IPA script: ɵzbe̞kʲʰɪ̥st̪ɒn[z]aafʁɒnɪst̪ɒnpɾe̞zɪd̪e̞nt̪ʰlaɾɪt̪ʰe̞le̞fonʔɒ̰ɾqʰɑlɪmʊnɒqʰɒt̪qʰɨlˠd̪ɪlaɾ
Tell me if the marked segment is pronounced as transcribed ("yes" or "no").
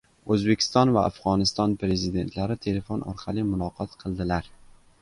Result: no